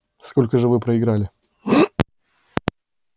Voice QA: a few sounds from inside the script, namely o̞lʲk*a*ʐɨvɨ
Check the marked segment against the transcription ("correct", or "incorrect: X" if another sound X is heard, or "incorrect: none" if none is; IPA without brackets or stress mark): incorrect: ə